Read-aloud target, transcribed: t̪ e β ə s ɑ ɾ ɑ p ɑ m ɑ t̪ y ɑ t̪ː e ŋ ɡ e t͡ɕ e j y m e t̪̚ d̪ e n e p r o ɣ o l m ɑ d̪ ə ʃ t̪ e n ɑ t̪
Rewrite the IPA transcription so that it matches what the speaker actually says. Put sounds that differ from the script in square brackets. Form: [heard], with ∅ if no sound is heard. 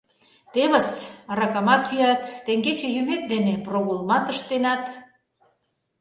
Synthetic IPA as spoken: t̪ e β ə s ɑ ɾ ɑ [k] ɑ m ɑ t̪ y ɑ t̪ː e ŋ ɡ e t͡ɕ e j y m e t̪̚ d̪ e n e p r o ɣ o l m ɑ [t̪] ə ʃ t̪ e n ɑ t̪